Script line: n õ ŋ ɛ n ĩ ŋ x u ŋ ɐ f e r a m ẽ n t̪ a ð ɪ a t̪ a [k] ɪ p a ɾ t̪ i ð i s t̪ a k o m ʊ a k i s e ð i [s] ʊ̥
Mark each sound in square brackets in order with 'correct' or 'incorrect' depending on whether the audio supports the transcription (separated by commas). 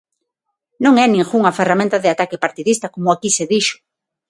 correct, incorrect